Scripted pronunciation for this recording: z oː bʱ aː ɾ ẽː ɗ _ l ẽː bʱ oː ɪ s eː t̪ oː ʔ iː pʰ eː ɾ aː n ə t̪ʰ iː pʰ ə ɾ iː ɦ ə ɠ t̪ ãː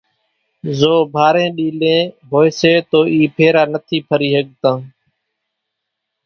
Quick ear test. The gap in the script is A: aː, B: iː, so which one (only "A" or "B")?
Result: B